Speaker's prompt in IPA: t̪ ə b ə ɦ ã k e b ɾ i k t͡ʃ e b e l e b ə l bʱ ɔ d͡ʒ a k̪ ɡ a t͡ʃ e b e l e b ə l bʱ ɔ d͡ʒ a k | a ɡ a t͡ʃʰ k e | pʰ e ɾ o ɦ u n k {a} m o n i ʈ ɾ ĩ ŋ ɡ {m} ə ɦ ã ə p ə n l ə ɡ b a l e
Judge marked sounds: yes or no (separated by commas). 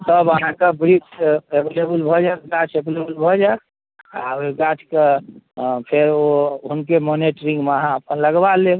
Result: no, yes